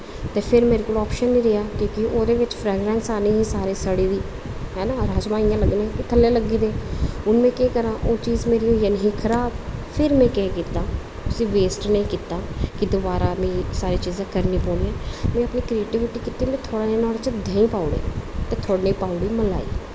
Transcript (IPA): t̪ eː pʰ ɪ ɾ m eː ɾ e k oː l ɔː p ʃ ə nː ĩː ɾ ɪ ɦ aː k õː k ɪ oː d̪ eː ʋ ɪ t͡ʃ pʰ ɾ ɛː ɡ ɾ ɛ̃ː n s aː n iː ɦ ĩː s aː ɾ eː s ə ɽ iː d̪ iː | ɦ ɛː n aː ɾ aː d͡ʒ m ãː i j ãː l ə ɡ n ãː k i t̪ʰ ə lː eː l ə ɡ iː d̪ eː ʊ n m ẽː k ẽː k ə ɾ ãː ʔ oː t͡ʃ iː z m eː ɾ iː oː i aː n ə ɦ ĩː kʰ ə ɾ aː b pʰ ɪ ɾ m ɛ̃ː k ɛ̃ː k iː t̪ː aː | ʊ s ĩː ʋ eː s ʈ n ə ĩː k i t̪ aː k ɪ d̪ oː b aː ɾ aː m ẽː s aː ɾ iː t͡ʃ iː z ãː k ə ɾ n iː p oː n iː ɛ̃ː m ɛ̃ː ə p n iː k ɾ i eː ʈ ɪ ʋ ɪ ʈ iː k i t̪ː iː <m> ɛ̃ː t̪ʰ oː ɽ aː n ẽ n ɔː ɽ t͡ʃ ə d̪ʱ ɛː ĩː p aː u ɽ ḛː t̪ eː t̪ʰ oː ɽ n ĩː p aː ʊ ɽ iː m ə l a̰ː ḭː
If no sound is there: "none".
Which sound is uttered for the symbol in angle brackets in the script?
m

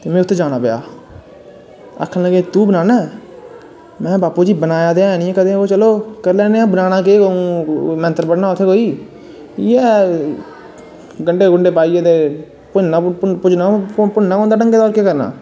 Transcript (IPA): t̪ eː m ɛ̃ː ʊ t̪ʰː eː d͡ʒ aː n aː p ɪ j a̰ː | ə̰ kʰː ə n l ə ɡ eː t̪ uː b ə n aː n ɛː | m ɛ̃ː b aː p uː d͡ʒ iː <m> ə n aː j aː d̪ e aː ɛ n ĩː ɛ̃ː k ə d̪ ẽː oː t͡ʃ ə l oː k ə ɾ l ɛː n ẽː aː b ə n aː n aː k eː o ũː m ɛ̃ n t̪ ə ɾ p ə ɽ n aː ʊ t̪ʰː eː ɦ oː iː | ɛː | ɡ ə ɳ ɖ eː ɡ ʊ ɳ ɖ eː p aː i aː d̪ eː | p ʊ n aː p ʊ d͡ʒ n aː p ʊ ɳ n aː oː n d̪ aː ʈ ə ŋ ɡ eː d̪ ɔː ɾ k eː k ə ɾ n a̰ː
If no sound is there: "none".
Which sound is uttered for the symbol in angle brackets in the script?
b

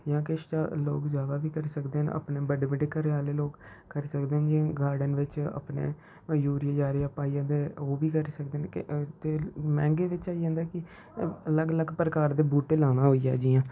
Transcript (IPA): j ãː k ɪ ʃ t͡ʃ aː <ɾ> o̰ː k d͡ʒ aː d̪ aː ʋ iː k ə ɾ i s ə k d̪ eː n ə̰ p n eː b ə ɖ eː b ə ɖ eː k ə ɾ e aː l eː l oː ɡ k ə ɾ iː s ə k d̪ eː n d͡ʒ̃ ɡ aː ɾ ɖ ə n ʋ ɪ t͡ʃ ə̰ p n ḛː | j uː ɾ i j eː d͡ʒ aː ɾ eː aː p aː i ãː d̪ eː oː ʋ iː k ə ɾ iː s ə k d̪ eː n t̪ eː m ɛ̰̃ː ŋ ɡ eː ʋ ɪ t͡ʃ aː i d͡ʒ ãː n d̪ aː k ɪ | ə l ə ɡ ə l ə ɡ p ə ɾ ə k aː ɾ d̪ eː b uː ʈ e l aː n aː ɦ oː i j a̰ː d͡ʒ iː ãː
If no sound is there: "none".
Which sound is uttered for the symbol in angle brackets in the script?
l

